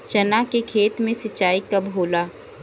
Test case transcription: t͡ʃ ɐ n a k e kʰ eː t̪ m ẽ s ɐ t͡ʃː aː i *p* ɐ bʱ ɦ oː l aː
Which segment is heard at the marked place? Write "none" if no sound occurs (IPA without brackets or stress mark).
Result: k